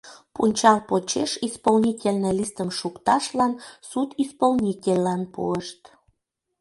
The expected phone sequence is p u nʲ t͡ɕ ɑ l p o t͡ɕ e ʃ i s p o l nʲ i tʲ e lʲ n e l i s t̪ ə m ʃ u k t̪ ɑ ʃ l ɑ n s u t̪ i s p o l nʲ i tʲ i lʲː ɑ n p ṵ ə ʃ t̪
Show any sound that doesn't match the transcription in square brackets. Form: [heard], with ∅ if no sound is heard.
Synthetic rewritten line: p u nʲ t͡ɕ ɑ l p o t͡ɕ e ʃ i s p o l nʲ i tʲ e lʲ n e l i s t̪ ə m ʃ u k t̪ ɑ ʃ l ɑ n s u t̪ i s p o l nʲ i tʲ [e] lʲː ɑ n p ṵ ə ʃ t̪

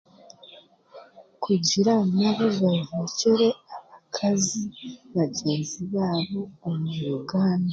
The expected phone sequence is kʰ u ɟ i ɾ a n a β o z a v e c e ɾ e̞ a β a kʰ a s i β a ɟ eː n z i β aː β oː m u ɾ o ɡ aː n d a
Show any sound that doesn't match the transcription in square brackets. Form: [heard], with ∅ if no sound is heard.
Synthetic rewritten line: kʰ u ɟ i ɾ a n a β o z a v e c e ɾ e̞ a β a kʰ a [z] i β a ɟ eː n z i β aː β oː m u ɾ [u] ɡ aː n d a

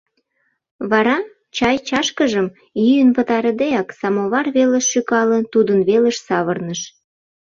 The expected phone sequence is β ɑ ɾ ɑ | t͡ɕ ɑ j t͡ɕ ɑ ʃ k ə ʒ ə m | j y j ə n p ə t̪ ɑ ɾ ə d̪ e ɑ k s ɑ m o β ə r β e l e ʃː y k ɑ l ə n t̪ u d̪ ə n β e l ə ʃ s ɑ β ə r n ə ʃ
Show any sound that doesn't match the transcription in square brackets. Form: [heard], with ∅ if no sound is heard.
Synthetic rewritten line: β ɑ ɾ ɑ | t͡ɕ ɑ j t͡ɕ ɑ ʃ k ə ʒ ə m | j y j ə n p ə t̪ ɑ ɾ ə d̪ e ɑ k s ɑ m o β [ɑ] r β e l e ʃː y k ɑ l ə n t̪ u d̪ ə n β e l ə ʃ s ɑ β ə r n ə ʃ

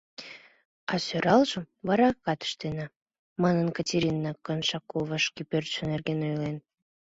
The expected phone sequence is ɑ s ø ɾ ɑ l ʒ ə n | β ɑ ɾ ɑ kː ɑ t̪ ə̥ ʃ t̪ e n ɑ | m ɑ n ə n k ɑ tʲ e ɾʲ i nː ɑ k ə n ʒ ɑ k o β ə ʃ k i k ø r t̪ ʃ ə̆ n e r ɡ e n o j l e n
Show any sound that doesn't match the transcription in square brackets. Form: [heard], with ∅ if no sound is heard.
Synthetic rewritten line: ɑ s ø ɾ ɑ l ʒ ə [m] | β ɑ ɾ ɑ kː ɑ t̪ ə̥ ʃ t̪ e n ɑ | m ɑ n ə n k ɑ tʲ e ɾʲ i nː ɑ k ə n [ʃ] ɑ k o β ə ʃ k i [p] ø r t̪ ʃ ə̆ n e r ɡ e n o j l e n

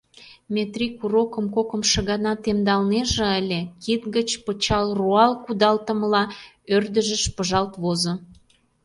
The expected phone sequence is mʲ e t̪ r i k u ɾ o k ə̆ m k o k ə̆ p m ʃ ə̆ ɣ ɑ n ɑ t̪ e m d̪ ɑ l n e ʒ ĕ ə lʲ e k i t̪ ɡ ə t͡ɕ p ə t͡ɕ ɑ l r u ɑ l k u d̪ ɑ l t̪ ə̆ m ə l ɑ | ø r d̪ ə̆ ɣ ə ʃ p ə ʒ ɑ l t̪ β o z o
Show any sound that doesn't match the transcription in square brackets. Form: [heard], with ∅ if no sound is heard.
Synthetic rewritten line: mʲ e t̪ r i k u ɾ o k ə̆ m k o k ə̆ [∅] m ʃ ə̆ ɣ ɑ n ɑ t̪ e m d̪ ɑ l n e ʒ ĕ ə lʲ e k i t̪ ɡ ə t͡ɕ p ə t͡ɕ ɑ l r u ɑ l k u d̪ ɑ l t̪ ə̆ m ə l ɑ | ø r d̪ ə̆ [ʒ] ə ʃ p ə ʒ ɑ l t̪ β o z o

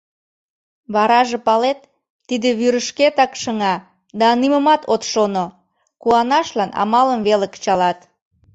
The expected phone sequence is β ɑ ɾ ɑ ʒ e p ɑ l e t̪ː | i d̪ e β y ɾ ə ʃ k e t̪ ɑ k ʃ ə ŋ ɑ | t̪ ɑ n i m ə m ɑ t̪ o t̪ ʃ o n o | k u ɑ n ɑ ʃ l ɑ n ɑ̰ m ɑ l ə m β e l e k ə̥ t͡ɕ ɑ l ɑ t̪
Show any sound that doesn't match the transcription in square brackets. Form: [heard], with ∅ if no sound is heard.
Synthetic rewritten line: β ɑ ɾ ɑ ʒ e p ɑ l e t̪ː | i d̪ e β y ɾ ə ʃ k e t̪ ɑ k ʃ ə ŋ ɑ | [d̪] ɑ n i m ə m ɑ t̪ o t̪ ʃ o n o | k u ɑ n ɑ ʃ l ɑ n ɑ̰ m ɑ l ə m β e l e k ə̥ t͡ɕ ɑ l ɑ t̪

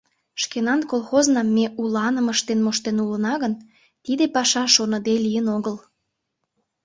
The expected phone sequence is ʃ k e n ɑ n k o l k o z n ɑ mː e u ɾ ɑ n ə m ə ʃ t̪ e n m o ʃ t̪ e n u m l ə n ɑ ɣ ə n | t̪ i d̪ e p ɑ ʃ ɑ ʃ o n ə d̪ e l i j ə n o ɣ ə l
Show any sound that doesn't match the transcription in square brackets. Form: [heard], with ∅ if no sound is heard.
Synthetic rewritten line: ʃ k e n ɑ n k o l [x] o z n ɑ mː e u [l] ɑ n ə m ə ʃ t̪ e n m o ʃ t̪ e n u [∅] l ə n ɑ ɣ ə n | t̪ i d̪ e p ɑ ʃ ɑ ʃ o n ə d̪ e l i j ə n o ɣ ə l

